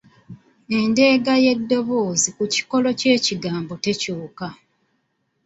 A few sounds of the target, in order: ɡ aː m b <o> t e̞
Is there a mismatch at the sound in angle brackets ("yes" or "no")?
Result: no